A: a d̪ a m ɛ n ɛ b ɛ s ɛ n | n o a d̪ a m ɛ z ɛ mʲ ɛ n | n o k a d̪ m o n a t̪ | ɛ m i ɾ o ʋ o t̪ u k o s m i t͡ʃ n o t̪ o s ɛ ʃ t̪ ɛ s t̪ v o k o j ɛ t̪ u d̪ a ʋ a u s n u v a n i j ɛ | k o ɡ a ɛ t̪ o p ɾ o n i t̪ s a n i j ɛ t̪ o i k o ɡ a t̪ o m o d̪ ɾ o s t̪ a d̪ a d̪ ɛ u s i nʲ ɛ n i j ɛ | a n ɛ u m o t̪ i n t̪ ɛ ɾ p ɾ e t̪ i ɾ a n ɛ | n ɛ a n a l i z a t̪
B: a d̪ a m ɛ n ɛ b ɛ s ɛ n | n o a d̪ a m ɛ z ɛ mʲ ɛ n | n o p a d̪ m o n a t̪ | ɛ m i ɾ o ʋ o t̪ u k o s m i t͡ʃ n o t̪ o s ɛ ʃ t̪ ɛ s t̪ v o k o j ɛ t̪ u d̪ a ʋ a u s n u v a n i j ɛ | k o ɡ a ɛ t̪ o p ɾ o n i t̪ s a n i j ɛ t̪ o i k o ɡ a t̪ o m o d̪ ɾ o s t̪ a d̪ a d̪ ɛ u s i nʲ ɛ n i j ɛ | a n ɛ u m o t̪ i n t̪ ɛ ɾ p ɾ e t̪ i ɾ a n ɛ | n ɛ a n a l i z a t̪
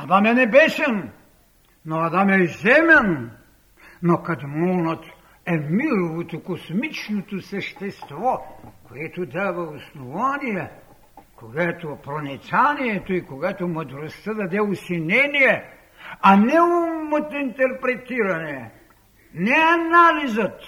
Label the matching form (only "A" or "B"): A